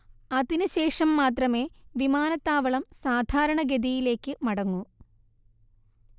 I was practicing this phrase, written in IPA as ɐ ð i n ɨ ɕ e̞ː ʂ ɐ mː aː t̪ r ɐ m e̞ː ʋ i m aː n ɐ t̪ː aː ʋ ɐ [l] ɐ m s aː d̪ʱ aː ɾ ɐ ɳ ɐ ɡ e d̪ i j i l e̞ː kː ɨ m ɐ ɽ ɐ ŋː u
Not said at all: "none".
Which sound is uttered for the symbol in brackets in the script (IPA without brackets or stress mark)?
ɭ